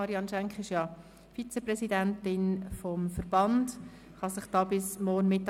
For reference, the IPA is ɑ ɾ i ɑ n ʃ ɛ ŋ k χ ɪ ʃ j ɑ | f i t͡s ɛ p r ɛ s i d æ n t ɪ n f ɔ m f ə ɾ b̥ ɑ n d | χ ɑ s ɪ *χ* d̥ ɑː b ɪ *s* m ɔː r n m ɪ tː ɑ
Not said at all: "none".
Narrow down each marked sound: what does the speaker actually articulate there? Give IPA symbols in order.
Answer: χ, s

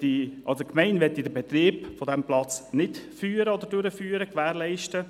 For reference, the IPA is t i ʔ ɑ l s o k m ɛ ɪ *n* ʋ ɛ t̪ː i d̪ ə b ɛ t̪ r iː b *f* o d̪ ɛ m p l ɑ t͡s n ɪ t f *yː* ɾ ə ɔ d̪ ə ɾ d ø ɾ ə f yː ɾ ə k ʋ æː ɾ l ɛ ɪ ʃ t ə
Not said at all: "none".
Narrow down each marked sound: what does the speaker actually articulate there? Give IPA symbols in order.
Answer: n, f, yː

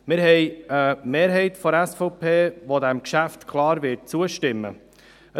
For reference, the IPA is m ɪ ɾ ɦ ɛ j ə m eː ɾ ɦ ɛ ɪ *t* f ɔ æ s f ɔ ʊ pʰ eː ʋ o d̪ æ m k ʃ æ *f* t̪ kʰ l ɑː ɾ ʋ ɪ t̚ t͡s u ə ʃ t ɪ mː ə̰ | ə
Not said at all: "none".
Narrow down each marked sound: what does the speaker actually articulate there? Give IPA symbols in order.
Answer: t, f

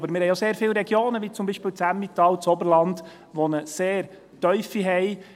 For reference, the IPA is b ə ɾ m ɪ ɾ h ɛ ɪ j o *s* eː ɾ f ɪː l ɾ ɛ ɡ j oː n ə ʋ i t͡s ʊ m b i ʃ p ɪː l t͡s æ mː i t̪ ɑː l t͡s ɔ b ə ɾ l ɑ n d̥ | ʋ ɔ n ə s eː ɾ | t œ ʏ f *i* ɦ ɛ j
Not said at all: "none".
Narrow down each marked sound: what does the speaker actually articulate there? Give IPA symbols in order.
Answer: s, i

